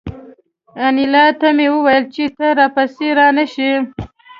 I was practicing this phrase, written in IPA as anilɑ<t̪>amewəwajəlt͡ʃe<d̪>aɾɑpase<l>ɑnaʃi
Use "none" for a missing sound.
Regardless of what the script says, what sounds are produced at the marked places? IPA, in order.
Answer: t̪, t̪, ɾ

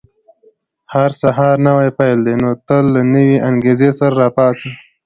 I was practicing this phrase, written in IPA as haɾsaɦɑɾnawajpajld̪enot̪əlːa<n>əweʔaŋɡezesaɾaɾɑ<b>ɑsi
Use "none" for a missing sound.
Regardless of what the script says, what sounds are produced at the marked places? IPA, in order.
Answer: n, p

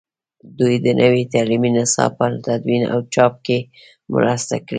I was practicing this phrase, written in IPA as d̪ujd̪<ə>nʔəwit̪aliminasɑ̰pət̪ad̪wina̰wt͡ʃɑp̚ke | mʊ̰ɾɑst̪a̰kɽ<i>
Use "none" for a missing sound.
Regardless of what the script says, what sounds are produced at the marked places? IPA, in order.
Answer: ə, i

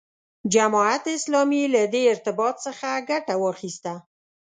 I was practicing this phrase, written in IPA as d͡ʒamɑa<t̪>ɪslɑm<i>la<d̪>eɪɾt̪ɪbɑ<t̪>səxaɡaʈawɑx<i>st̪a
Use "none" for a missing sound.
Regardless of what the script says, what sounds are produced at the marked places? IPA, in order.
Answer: t̪, i, d̪, t̪, i

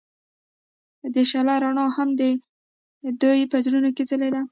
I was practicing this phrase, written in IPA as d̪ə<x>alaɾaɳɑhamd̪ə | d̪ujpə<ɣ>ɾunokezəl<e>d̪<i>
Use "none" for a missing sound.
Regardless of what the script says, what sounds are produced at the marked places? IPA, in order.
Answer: ʃ, z, e, a

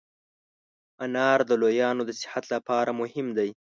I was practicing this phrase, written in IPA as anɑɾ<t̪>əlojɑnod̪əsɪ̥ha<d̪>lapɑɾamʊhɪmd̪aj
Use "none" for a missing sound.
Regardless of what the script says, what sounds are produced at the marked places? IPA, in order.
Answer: d̪, t̪

